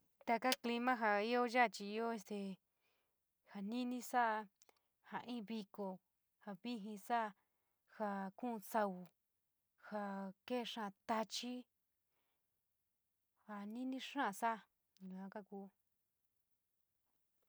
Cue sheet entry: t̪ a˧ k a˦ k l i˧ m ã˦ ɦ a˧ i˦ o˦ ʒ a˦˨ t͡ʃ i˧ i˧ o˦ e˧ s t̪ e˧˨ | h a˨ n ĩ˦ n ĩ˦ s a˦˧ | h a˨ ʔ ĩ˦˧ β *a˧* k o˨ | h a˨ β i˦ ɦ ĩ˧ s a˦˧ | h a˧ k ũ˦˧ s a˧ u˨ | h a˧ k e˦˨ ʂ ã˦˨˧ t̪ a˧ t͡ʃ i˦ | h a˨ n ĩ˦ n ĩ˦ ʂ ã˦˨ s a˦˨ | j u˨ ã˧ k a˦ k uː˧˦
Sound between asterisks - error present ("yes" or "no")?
yes